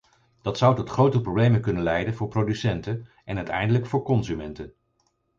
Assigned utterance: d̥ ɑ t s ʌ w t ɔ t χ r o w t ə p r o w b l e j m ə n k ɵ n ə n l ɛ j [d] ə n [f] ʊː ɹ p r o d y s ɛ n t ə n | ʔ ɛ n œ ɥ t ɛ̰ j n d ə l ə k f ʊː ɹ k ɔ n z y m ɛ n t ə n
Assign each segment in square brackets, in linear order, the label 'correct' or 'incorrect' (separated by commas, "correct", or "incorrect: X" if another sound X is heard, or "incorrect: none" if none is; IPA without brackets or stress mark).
correct, incorrect: v